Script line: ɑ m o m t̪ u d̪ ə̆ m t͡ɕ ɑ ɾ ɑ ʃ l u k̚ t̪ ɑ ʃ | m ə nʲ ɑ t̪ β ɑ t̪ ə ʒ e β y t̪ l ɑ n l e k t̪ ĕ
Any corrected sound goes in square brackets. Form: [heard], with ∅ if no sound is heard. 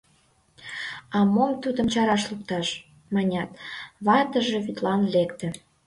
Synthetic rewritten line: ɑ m o m t̪ u d̪ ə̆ m t͡ɕ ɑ ɾ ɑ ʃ l u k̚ t̪ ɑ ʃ | m [ɑ] nʲ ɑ t̪ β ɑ t̪ ə ʒ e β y t̪ l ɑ n l e k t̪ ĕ